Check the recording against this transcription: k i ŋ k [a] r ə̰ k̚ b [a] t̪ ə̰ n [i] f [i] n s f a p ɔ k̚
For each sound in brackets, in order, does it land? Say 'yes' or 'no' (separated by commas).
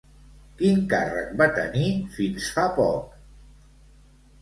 yes, yes, yes, yes